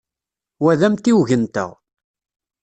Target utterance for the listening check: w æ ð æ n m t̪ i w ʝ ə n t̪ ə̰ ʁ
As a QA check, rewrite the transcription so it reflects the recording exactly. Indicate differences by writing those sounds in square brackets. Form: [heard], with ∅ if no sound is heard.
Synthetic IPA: w æ ð æ [∅] m t̪ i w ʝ ə n t̪ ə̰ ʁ